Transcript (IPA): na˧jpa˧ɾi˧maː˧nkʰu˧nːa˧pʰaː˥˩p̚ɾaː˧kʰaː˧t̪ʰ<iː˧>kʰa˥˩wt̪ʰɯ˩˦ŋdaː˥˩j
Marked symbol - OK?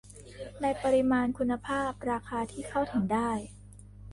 no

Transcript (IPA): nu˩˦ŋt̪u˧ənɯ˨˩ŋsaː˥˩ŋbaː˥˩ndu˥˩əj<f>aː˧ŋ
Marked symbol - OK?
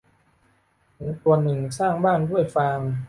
yes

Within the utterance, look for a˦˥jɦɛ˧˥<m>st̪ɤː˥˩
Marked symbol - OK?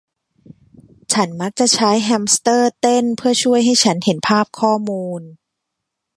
yes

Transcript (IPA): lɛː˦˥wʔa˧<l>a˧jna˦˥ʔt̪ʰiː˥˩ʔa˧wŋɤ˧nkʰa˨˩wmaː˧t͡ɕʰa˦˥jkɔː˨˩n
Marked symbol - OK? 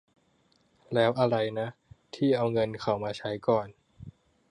no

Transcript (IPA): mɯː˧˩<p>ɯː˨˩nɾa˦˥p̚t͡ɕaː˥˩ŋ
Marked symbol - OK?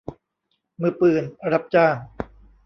yes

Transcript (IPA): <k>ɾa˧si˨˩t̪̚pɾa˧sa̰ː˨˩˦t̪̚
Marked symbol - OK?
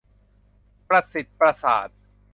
no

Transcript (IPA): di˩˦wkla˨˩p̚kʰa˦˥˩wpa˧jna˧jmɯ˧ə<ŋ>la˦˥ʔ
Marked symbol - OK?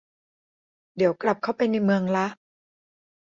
yes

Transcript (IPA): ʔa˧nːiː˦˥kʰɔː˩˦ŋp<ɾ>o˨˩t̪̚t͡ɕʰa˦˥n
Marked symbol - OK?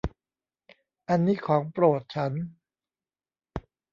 yes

